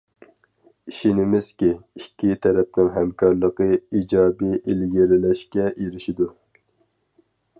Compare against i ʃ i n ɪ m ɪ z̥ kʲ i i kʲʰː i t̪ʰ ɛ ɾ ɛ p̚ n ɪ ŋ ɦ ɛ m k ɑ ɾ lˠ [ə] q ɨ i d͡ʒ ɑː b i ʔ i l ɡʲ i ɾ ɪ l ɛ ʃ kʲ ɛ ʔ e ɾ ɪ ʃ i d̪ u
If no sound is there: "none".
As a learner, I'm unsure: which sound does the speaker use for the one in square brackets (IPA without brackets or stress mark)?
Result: ə